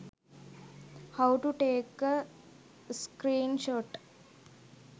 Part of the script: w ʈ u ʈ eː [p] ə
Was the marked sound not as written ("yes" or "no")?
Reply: yes